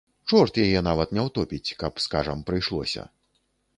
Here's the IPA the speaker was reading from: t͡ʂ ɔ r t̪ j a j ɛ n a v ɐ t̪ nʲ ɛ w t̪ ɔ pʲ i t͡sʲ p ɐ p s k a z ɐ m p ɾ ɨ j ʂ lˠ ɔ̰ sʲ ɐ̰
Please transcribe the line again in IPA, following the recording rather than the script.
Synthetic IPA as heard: t͡ʂ ɔ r t̪ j a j ɛ n a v ɐ t̪ nʲ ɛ w t̪ ɔ pʲ i t͡sʲ k ɐ p s k a ʐ ɐ m p ɾ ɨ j ʂ lˠ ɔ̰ sʲ ɐ̰